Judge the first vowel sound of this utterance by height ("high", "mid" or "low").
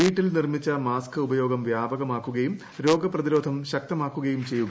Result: high